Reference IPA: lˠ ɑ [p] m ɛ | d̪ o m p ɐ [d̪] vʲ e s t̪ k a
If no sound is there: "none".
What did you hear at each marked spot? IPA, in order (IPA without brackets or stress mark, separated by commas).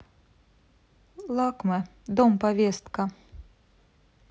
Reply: k, none